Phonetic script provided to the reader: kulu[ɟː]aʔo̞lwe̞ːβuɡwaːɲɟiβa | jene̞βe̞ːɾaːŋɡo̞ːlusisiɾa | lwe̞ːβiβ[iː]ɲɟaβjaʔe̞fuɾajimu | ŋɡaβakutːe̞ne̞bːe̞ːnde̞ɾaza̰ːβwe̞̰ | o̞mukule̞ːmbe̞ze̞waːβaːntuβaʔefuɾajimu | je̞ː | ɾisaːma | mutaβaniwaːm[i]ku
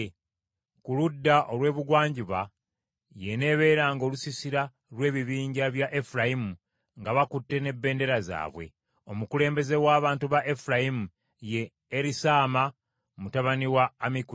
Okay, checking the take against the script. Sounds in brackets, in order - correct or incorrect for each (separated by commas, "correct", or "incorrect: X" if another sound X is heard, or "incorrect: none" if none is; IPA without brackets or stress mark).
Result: incorrect: dː, correct, correct